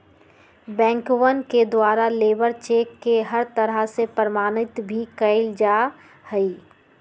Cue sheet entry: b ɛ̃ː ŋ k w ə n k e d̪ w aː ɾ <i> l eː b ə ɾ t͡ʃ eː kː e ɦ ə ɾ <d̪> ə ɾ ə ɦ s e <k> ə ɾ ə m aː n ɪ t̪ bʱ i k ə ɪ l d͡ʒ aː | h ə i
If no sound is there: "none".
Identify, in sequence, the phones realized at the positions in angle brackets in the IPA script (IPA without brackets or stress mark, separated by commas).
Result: a, t̪, p